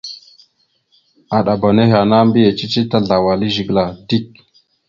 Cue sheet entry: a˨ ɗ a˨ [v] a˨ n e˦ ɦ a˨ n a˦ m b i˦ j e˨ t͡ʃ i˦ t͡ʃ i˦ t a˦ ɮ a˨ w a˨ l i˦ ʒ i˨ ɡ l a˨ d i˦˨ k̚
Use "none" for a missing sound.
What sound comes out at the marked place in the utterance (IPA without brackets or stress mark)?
b